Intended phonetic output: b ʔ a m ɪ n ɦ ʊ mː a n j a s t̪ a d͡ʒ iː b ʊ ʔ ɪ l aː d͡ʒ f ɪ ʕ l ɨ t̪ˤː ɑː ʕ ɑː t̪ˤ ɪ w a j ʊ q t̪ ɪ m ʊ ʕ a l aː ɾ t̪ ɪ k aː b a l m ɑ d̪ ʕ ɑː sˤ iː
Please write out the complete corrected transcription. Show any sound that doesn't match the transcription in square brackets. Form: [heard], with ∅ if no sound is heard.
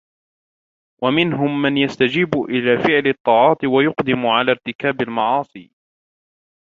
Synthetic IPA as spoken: [w] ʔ a m ɪ n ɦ ʊ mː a n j a s t̪ a d͡ʒ iː b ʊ ʔ ɪ l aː [∅] f ɪ ʕ l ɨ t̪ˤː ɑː ʕ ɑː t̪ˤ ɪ w a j ʊ q [d̪] ɪ m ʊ ʕ a l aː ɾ t̪ ɪ k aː b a l m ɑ [∅] ʕ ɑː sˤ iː